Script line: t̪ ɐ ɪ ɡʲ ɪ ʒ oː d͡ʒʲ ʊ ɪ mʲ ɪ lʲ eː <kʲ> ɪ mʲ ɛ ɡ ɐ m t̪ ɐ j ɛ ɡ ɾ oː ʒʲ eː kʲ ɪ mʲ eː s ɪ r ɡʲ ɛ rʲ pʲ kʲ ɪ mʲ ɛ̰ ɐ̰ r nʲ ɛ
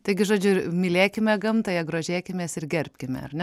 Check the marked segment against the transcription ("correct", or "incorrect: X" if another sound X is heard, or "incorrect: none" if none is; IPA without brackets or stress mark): correct